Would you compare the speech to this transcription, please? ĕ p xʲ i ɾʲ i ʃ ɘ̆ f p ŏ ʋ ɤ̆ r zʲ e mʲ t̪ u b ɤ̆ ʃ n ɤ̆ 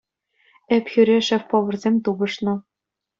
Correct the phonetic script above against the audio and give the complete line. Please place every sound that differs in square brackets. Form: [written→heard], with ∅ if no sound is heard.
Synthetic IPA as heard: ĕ p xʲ [i→y] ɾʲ [i→e] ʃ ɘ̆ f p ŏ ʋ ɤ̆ r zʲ e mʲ t̪ u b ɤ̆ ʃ n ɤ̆